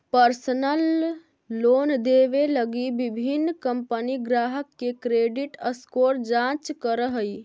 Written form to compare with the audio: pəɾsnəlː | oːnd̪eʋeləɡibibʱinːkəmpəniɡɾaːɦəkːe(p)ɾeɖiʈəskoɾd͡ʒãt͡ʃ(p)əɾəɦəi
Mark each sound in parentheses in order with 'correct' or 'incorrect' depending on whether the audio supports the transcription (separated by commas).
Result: incorrect, incorrect